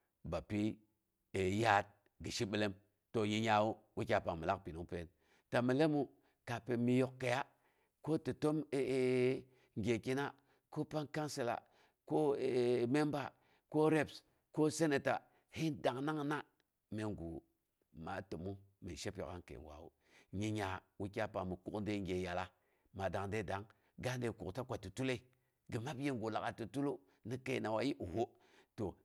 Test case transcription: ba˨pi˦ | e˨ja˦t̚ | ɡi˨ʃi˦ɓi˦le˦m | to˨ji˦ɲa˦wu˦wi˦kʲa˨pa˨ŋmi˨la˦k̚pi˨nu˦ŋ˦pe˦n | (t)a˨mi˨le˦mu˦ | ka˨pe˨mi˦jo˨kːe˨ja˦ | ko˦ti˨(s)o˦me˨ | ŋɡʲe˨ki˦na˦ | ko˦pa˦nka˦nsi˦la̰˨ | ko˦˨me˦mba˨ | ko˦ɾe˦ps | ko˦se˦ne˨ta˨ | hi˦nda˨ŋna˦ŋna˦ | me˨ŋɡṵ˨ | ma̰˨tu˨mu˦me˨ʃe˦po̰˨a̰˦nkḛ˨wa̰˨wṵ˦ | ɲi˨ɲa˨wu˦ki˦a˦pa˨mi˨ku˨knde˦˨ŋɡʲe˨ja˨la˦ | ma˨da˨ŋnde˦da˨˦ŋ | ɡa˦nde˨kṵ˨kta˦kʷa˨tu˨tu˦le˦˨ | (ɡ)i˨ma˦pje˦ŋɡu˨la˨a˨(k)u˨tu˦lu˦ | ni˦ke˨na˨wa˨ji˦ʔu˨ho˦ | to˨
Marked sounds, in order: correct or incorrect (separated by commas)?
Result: correct, incorrect, correct, incorrect